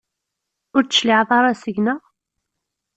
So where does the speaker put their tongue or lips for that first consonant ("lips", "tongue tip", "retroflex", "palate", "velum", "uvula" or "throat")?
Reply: tongue tip